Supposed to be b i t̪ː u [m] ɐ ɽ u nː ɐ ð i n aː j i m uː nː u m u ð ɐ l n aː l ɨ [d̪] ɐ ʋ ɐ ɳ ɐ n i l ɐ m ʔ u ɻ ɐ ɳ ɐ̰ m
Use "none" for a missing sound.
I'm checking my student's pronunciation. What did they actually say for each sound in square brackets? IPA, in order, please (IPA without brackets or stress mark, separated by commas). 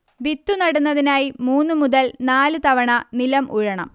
n, t̪